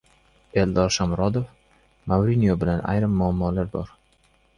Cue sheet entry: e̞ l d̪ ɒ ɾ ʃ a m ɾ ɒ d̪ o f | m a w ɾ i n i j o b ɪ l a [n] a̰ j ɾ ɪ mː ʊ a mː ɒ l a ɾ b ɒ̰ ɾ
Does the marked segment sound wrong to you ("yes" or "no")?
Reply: no